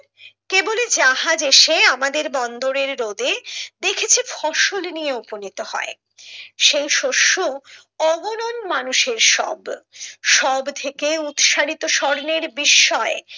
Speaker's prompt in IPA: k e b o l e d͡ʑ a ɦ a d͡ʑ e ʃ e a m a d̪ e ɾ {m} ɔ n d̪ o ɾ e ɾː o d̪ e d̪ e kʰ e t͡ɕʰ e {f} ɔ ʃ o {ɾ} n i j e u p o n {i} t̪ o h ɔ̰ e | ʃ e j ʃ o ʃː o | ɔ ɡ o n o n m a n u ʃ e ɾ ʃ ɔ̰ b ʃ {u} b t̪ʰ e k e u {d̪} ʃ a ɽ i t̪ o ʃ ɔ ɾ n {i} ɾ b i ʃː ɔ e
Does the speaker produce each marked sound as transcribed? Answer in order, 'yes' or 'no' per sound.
no, yes, no, yes, no, no, no

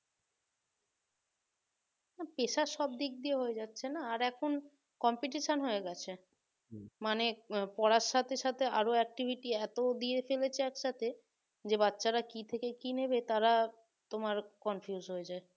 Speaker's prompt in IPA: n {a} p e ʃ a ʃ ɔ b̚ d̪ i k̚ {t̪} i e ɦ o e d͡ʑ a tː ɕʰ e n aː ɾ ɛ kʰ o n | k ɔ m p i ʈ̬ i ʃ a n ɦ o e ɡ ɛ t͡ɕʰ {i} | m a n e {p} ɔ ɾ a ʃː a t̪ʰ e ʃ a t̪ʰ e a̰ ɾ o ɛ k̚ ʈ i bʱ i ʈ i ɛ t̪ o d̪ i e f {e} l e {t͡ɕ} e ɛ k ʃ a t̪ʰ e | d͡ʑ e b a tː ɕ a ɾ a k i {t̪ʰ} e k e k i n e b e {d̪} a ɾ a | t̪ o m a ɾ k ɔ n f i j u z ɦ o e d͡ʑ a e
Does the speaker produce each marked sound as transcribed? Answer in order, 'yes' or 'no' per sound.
yes, no, no, yes, yes, no, yes, no

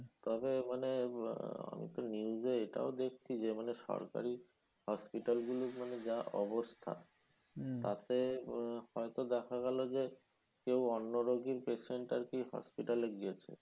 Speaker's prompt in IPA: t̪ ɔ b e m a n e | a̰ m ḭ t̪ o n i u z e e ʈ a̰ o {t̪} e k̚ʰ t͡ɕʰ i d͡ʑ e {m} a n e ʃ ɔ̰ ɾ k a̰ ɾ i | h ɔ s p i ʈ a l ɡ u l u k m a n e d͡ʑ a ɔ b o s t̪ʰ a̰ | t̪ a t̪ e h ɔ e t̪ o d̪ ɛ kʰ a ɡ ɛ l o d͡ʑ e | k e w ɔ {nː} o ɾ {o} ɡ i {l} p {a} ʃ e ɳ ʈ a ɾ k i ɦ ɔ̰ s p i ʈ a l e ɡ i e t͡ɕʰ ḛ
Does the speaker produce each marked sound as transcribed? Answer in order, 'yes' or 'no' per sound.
no, yes, yes, yes, no, no

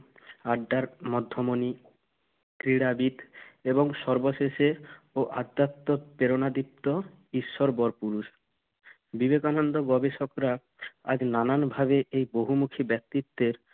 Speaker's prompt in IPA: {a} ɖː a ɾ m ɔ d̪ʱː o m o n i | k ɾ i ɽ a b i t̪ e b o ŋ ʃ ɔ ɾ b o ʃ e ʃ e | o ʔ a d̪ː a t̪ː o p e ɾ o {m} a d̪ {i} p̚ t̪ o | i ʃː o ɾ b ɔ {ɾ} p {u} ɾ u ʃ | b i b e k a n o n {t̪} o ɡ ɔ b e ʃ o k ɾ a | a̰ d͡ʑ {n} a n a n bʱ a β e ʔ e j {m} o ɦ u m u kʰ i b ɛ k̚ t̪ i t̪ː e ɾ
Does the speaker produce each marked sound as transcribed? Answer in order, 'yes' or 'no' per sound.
yes, no, yes, yes, yes, no, yes, no

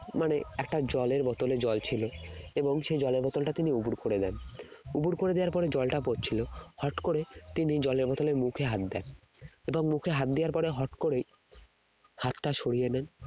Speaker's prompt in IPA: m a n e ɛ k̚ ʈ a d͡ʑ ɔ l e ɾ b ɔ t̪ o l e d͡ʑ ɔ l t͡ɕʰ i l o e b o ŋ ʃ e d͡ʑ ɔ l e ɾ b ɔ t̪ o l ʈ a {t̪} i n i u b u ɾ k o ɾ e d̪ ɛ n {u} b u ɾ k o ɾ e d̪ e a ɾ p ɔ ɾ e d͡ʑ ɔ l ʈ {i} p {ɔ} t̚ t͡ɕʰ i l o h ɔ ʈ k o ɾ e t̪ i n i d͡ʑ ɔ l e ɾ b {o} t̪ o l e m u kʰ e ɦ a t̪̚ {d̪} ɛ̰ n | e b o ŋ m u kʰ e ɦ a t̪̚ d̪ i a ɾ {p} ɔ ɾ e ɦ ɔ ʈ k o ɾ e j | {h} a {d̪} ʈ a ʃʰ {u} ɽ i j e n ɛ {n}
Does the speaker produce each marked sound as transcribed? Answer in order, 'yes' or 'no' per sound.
yes, yes, no, no, no, yes, yes, yes, no, no, yes

